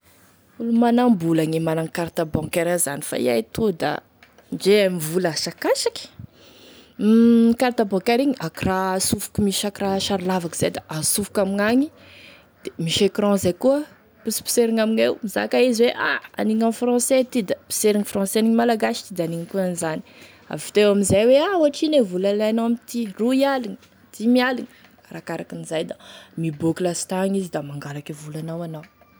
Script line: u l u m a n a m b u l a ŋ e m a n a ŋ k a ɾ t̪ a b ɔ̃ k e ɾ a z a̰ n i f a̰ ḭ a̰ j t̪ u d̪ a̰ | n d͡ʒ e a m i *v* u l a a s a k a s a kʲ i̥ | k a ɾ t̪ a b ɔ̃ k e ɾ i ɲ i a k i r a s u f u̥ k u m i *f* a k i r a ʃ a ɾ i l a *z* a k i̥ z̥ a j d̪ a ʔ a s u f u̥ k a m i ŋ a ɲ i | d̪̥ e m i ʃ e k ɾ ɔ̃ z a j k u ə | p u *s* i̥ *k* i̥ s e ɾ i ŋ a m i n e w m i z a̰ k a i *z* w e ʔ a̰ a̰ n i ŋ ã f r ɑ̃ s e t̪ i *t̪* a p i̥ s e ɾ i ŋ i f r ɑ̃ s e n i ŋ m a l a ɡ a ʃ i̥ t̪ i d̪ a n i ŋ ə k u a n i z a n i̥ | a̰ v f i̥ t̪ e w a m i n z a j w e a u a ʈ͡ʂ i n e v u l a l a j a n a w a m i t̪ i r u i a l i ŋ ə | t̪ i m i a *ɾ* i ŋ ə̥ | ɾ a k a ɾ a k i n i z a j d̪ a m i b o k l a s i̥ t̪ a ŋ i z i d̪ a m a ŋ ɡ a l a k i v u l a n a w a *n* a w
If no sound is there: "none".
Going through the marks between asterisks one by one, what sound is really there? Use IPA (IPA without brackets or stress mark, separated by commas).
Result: v, ʃ, v, s, p, z, d̪, l, n